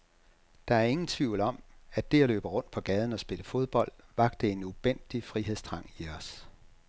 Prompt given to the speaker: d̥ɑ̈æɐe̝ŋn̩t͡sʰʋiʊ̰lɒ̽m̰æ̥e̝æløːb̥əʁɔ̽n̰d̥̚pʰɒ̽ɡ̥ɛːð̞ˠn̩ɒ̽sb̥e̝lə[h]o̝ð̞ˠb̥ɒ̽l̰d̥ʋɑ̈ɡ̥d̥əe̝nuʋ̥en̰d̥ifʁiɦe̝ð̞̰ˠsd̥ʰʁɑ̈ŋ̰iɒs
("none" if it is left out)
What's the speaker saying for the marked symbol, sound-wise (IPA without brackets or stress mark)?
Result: f